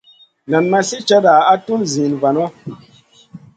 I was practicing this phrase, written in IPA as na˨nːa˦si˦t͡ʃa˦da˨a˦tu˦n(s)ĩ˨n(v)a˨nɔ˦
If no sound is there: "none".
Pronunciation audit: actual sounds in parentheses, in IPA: z, v

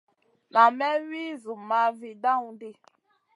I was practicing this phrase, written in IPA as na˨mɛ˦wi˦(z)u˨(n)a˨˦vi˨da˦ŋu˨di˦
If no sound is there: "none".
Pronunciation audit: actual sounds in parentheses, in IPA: z, m

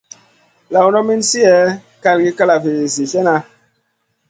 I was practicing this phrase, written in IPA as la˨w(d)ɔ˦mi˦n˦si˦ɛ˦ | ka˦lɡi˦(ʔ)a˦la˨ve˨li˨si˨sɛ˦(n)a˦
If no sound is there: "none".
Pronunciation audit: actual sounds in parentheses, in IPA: n, k, n

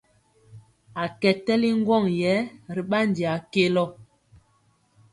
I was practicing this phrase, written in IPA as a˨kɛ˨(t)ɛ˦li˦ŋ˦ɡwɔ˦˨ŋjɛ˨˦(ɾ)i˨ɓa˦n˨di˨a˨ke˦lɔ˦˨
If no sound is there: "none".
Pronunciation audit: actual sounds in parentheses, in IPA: t, ɾ

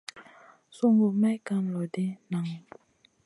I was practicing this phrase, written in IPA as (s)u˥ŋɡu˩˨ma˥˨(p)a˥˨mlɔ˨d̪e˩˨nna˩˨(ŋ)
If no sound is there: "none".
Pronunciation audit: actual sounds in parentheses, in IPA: s, k, ŋ

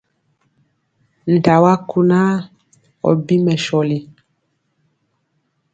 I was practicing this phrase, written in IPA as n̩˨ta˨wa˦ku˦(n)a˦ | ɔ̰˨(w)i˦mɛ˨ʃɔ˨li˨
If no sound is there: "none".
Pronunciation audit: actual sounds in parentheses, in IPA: n, b

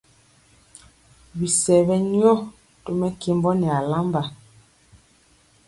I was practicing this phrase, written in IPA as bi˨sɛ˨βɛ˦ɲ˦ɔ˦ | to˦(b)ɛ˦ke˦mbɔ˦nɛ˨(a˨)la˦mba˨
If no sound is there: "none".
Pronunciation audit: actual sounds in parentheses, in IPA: m, a˨

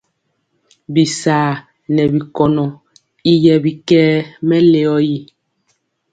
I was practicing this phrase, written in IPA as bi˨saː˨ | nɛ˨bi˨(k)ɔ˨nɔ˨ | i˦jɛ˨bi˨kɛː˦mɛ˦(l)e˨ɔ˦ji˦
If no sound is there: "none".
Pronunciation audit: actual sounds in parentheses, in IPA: k, l

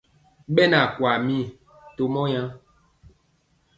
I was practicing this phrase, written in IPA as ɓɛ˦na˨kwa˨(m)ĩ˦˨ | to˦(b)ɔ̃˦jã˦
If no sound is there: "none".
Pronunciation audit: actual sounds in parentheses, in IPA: m, m

